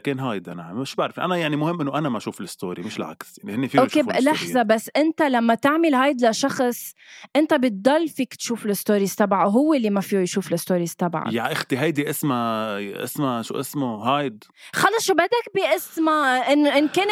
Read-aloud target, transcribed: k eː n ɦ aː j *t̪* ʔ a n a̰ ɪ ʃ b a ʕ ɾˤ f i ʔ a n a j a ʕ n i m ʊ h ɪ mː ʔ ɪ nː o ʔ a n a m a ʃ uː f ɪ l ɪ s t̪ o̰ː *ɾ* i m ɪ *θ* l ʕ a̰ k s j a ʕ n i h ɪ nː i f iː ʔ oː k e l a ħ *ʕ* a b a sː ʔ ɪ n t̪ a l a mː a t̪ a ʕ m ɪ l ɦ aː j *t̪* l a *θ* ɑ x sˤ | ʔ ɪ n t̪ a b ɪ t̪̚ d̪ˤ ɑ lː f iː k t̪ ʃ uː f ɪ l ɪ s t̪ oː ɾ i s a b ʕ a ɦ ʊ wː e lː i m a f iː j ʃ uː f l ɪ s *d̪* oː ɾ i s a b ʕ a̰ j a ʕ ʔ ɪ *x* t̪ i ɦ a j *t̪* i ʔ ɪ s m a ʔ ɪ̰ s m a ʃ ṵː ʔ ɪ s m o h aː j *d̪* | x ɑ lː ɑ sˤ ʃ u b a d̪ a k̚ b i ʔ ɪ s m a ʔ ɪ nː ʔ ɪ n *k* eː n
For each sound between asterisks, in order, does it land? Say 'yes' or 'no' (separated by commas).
no, yes, no, no, no, no, no, yes, no, yes, yes